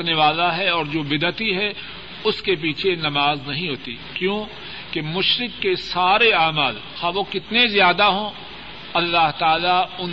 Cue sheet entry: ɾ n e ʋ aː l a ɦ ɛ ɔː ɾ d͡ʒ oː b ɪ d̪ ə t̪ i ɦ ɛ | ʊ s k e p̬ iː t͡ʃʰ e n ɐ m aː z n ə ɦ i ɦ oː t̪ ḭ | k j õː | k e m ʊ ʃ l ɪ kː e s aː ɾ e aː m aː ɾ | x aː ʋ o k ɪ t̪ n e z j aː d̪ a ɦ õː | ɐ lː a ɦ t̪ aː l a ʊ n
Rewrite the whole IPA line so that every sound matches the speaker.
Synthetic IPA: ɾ n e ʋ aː l a ɦ ɛ ɔː ɾ d͡ʒ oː b ɪ d̪ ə t̪ i ɦ ɛ | ʊ s k e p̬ iː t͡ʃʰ e n ɐ m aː z n ɐ ɦ ĩ ɦ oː t̪ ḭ | k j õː | k e m ʊ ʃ ɾ ɪ kː e s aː ɾ e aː m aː l | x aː ʋ o k ɪ t̪ n e z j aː d̪ a ɦ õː | ɐ lː a ɦ t̪ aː l a ʊ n